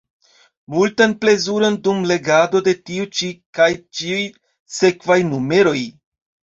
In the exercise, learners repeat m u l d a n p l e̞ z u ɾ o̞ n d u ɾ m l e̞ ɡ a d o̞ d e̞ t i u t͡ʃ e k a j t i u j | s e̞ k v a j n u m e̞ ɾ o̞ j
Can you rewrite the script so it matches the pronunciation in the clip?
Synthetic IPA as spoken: m u l t a n p l e̞ z u ɾ o̞ n d u m l e̞ ɡ a d o̞ d e̞ t i u t͡ʃ i k a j t͡ʃ i u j | s e̞ k v a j n u m e̞ ɾ o̞ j